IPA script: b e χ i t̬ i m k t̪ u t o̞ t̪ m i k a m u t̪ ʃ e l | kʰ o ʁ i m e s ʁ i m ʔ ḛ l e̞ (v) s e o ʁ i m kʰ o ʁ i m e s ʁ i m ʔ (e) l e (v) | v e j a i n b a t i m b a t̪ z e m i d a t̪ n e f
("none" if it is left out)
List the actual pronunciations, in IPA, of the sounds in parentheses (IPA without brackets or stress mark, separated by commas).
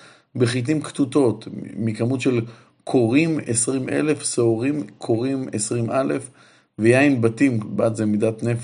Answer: f, a, f